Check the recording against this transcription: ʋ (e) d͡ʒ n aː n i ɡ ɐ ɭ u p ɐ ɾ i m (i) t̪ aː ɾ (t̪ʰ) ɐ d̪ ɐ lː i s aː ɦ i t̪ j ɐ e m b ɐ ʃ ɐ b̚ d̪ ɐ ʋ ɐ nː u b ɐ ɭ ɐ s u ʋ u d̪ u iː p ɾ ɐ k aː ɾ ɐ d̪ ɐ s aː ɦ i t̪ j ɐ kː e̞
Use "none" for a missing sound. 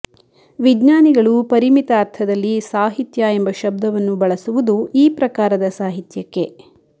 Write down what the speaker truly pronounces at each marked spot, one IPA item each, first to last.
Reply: i, i, t̪ʰ

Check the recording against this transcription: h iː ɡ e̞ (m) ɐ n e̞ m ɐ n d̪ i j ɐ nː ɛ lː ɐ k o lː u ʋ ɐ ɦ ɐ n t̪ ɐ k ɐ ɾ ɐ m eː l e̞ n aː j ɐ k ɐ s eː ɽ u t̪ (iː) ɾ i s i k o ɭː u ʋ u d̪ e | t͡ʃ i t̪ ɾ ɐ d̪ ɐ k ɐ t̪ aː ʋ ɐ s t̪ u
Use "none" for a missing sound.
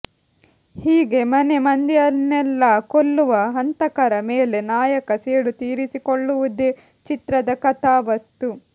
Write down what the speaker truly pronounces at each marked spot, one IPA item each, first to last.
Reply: m, iː

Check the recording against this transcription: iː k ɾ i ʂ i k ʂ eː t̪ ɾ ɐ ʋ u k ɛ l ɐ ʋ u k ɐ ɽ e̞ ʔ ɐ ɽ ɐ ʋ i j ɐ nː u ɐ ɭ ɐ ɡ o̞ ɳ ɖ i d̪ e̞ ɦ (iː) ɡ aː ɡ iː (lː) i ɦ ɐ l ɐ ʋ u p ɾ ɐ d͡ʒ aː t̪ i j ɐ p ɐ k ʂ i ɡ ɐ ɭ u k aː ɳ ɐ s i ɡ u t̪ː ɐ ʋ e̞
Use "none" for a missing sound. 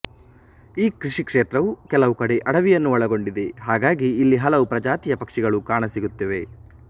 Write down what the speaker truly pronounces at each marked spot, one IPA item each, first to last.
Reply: aː, lː

